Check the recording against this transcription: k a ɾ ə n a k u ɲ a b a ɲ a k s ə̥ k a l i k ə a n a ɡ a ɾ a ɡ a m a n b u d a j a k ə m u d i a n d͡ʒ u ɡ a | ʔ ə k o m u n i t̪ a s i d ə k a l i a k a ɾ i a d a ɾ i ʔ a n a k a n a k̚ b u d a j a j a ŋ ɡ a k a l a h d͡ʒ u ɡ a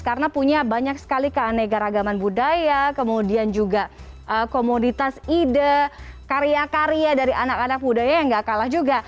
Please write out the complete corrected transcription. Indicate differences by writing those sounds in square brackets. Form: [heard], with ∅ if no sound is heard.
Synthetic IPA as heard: k a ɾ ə n a [p] u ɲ a b a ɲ a k s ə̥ k a l i k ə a n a ɡ a ɾ a ɡ a m a n b u d a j a k ə m u d i a n d͡ʒ u ɡ a | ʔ ə k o m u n i t̪ a s i d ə k a [ɾ] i a k a ɾ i a d a ɾ i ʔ a n a k a n a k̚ b u d a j a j a ŋ ɡ a k a l a h d͡ʒ u ɡ a